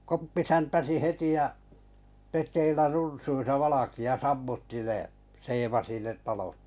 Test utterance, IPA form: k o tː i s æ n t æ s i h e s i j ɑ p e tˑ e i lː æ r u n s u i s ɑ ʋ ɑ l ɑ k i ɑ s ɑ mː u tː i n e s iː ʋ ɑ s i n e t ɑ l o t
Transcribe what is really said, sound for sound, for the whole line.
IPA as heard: k o pː i s æ n t æ s i h e t i j ɑ p e tˑ e i lː æ r u n s u i s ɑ ʋ ɑ l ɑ k i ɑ s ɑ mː u tː i n e s eː ʋ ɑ s i n e t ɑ l o t